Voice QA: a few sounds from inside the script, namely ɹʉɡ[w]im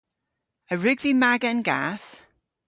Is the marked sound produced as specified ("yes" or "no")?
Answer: no